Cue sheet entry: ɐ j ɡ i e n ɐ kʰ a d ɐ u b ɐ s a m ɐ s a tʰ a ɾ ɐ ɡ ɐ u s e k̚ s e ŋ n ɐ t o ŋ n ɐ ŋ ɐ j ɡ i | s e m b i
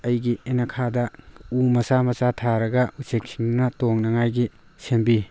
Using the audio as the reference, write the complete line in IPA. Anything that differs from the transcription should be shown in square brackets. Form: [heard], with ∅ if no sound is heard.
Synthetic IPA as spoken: ɐ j ɡ i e n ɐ kʰ a d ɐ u [m] ɐ s a m ɐ s a tʰ a ɾ ɐ ɡ ɐ u s e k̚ s [i] ŋ n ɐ t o ŋ n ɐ ŋ [a] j ɡ i | s e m b i